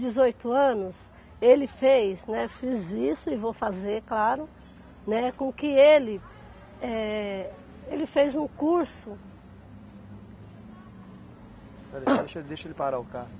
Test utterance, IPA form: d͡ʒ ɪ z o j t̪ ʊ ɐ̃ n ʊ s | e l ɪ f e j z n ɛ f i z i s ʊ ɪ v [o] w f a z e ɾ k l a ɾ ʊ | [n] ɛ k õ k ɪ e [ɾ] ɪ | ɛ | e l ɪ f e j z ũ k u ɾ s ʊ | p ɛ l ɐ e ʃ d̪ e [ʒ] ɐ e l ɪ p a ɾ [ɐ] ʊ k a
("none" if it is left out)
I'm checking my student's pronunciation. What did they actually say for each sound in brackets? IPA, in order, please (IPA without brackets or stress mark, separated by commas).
o, n, l, ʃ, a